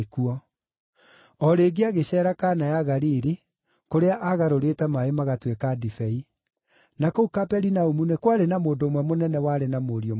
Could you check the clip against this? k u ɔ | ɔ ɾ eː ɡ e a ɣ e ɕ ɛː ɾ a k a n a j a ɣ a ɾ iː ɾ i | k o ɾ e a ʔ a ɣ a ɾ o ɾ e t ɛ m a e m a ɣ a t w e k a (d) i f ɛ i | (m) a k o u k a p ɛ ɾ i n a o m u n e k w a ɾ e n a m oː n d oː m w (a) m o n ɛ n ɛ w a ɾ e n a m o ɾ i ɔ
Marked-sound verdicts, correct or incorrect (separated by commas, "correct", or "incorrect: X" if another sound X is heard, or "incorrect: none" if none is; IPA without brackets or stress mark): correct, incorrect: n, incorrect: ɛ